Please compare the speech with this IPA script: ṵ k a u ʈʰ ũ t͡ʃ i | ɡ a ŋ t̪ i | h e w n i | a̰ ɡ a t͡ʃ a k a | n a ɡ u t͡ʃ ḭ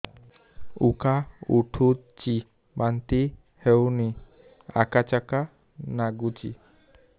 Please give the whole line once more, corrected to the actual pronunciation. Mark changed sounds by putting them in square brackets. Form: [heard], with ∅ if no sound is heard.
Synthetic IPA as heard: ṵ k a u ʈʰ [u] t͡ʃ i | [b] a [n] t̪ i | h e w n i | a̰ [k] a t͡ʃ a k a | n a ɡ u t͡ʃ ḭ

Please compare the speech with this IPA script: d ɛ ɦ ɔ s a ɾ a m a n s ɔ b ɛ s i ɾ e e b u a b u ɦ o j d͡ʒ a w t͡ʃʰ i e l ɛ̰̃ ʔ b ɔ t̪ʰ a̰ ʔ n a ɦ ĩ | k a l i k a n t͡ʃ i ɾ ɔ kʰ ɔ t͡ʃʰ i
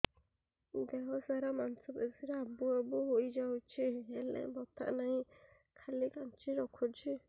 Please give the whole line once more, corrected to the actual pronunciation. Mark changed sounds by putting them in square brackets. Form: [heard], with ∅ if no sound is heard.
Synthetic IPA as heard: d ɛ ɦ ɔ s a ɾ a m a n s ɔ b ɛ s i ɾ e [a] b u a b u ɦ o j d͡ʒ a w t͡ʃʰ i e l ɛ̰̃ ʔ b ɔ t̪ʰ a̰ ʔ n a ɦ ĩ | [kʰ] a l i k a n t͡ʃ i ɾ ɔ kʰ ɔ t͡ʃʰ i

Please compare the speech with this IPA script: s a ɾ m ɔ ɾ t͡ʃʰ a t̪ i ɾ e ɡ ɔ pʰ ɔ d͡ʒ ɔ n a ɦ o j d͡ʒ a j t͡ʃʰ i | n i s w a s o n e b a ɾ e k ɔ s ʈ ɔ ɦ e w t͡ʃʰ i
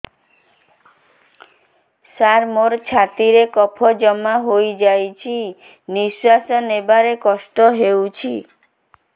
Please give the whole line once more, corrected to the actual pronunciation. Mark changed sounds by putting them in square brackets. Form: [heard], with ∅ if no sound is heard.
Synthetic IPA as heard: s a ɾ m [o] ɾ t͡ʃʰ a t̪ i ɾ e [k] ɔ pʰ ɔ d͡ʒ ɔ [m] a ɦ o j d͡ʒ a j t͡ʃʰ i | n i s w a s [ɔ] n e b a ɾ e k ɔ s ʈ ɔ ɦ e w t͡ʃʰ i

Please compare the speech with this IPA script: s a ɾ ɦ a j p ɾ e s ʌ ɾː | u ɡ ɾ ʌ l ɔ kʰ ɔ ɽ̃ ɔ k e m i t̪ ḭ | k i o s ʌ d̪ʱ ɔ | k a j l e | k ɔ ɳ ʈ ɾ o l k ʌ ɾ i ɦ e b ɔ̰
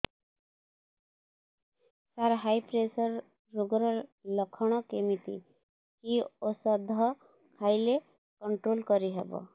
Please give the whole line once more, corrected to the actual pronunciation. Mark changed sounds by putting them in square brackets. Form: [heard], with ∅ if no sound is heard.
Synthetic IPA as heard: s a ɾ ɦ a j p ɾ e s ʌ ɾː | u ɡ ɾ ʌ l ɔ kʰ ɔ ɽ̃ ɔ k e m i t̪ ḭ | k i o s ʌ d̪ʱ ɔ | [kʰ] a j l e | k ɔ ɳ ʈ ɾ o l k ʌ ɾ i ɦ e b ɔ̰

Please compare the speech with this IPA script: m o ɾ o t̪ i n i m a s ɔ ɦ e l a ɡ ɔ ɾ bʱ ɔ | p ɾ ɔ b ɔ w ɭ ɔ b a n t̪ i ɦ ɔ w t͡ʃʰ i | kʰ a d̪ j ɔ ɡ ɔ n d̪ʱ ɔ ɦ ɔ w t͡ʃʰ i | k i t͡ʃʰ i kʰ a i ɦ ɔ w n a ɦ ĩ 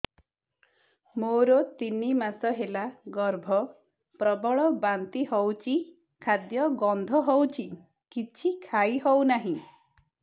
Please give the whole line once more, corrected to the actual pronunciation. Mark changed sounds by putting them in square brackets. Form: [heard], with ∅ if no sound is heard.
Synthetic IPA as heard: m o ɾ o t̪ i n i m a s ɔ ɦ e l a ɡ ɔ ɾ bʱ ɔ | p ɾ ɔ b ɔ [∅] ɭ ɔ b a n t̪ i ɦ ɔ w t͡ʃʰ i | kʰ a d̪ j ɔ ɡ ɔ n d̪ʱ ɔ ɦ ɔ w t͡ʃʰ i | k i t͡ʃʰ i kʰ a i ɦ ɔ w n a ɦ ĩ

